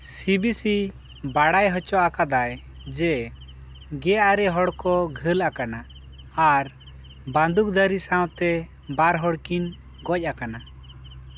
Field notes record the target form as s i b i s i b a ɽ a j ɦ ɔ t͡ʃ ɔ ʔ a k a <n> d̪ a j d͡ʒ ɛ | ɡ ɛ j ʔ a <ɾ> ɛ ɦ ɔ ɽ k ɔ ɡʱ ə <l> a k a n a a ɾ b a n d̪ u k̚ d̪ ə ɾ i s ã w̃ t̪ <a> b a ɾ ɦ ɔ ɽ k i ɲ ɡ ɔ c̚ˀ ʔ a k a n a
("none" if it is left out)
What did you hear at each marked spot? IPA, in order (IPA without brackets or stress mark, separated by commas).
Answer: none, ɾ, l, ɛ